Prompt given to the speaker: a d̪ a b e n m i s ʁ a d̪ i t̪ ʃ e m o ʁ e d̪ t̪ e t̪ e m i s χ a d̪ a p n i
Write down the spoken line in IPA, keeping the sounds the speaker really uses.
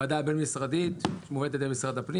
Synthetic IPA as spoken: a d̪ a b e n m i s ʁ a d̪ i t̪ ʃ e m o v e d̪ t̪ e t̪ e m i s ʁ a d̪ a p n i